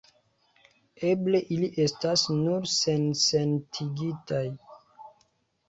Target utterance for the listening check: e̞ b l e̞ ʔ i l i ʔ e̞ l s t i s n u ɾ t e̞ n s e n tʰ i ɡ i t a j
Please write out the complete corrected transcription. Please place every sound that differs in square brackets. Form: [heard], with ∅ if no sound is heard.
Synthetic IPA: e̞ b l e̞ ʔ i l i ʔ e̞ [∅] s t [a] s n u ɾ [s] e̞ n s e n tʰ i ɡ i t a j